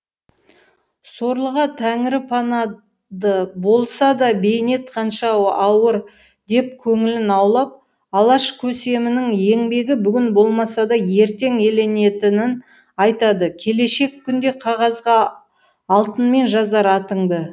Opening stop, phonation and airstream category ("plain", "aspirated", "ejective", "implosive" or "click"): aspirated